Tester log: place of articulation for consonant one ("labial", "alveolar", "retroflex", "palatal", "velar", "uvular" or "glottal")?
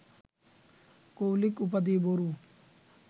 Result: velar